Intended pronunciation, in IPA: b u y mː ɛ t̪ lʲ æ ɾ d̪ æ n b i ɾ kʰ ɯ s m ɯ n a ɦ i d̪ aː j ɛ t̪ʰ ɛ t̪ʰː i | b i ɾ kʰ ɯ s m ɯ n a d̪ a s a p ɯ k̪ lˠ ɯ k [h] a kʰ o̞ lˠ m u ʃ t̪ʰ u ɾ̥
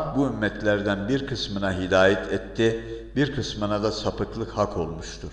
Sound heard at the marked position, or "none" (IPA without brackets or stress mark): h